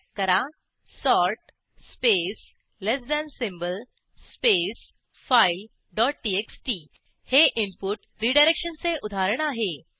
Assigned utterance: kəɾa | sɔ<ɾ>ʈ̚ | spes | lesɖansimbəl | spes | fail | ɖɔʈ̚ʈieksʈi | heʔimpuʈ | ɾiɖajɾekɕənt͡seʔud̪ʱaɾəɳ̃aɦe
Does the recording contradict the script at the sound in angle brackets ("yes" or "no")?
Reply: no